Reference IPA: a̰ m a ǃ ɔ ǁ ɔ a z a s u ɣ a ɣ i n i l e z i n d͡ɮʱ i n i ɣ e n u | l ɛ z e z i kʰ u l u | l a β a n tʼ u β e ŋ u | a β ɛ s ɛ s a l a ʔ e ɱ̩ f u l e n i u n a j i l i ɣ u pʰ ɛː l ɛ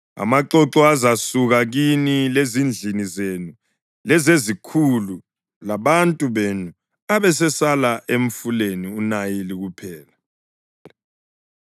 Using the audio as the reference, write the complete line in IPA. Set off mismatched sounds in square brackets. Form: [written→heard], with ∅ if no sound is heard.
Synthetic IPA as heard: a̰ m a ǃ ɔ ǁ ɔ a z a s u ɣ a ɣ i n i l e z i n d͡ɮʱ i n i [ɣ→z] e n u | l ɛ z e z i kʰ u l u | l a β a n tʼ u β e [ŋ→n] u | a β ɛ s ɛ s a l a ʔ e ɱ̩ f u l e n i u n a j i l i ɣ u pʰ ɛː l [ɛ→a]